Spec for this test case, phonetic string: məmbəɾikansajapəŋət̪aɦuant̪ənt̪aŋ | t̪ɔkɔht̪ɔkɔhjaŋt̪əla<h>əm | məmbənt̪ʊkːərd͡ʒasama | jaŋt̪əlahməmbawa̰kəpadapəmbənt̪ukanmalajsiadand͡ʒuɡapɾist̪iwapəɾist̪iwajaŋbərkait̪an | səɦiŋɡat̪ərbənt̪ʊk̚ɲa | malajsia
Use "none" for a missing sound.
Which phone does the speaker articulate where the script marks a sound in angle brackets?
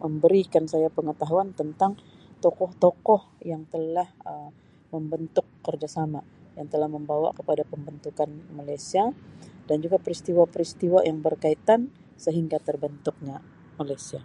h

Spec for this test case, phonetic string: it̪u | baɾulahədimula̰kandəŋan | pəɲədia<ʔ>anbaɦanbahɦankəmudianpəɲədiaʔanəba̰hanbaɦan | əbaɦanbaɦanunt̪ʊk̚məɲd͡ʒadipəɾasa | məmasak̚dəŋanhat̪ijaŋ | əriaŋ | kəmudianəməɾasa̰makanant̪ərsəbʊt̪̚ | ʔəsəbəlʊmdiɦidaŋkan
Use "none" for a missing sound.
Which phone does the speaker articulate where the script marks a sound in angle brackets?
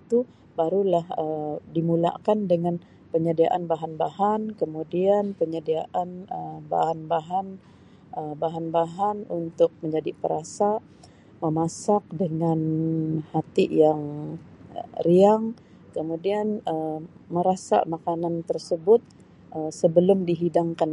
ʔ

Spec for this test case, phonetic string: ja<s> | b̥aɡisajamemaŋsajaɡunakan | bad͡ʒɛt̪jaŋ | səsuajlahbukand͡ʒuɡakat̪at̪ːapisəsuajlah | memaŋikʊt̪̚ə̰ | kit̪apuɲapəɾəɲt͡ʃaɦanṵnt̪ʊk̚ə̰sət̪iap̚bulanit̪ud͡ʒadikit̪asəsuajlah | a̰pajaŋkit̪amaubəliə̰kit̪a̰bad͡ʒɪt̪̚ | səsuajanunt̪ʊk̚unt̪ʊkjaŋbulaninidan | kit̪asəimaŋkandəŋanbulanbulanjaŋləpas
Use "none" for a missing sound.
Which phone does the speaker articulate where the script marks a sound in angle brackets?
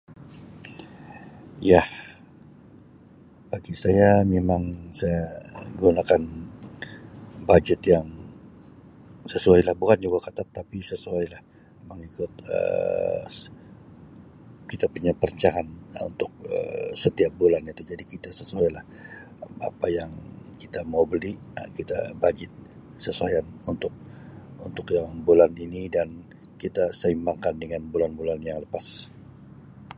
h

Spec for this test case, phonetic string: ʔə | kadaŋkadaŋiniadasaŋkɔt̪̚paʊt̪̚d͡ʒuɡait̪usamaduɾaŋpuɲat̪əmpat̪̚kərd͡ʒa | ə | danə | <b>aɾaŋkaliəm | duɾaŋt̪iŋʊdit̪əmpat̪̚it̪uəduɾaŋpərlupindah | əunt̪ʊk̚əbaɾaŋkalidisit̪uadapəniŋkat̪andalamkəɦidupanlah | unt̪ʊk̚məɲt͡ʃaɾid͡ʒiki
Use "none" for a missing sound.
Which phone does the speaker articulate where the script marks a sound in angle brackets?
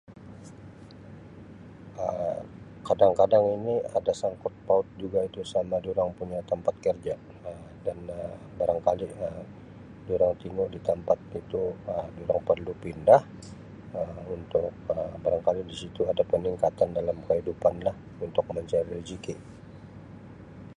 b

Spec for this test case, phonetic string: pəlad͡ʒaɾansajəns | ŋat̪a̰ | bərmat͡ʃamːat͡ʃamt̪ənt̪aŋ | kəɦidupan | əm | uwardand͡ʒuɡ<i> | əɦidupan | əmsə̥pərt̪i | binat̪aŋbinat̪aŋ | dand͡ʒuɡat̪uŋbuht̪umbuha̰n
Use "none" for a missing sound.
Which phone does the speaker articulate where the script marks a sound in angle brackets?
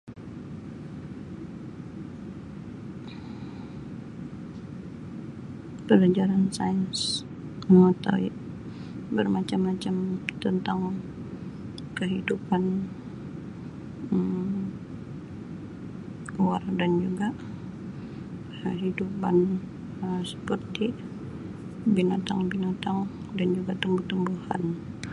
a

